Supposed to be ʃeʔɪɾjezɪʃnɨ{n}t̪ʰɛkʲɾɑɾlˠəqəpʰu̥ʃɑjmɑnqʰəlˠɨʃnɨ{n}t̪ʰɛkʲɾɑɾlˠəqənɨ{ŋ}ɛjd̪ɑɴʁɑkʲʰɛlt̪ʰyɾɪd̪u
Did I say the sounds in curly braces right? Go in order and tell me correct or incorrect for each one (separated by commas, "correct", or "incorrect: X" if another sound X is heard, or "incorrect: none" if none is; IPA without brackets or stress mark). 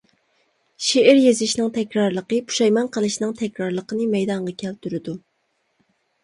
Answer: incorrect: ŋ, incorrect: ŋ, incorrect: m